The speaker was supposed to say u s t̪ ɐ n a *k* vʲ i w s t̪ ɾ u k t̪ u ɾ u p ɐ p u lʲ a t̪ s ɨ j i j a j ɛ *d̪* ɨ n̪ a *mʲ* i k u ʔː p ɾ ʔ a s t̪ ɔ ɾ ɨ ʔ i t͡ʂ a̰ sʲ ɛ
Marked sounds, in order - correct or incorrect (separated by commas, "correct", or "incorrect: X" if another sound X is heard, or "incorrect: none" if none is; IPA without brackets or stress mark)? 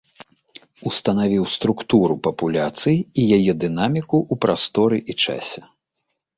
incorrect: none, correct, correct